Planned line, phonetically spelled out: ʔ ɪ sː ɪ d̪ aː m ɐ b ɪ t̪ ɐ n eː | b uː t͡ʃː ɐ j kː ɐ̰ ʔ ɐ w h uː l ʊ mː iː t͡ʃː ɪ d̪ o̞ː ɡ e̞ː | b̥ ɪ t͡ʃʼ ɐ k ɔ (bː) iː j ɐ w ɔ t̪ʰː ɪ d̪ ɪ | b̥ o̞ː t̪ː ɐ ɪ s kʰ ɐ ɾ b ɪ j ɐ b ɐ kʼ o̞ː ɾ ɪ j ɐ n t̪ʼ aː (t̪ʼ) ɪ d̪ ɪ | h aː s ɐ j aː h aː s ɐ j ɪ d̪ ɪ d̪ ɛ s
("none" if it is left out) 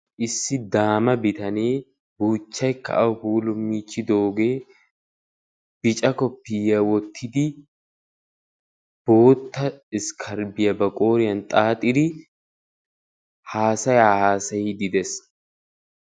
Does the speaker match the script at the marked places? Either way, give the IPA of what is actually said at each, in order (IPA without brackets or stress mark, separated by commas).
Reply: pː, t̪ʼ